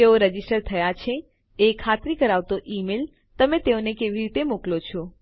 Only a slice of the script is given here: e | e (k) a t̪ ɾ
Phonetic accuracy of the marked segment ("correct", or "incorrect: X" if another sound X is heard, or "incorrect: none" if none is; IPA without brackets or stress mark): incorrect: kʰ